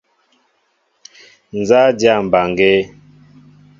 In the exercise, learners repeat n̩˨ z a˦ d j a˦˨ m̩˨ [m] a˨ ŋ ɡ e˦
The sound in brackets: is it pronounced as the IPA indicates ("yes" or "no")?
no